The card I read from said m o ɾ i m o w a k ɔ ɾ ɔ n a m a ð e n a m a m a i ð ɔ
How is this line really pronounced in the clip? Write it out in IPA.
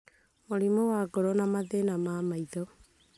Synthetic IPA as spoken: m o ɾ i m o w a ɡ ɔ ɾ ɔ n a m a ð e n a m a m a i ð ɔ